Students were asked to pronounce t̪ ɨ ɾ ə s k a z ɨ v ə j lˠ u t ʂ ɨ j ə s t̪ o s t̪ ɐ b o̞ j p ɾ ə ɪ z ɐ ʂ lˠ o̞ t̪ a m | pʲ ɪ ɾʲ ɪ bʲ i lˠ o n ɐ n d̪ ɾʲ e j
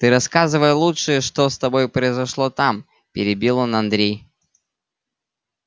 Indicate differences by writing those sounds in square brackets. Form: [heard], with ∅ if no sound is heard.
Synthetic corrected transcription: t̪ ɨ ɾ [ɐ] s k a z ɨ v ə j lˠ u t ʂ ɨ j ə [ʂ] t̪ o s t̪ ɐ b o̞ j p ɾ ə ɪ z ɐ ʂ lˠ o̞ t̪ a m | pʲ ɪ ɾʲ ɪ bʲ i lˠ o n ɐ n d̪ ɾʲ e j